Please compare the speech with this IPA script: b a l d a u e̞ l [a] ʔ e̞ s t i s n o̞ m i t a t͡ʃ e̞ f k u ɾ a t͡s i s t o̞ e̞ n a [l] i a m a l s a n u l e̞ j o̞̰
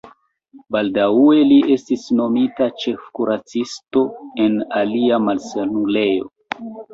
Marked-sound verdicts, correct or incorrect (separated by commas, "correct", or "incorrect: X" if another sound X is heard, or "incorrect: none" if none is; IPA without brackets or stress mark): incorrect: i, correct